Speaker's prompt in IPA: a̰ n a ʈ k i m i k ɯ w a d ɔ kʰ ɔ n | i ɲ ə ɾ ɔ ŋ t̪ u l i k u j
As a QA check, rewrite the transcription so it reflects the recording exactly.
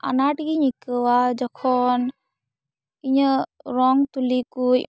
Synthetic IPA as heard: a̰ n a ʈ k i ɲ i k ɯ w a d͡ʒ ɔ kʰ ɔ n | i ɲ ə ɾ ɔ ŋ t̪ u l i k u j